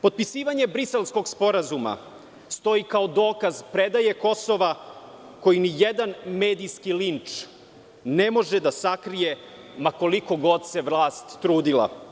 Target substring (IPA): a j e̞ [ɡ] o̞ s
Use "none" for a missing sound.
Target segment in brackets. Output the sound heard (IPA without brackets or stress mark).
k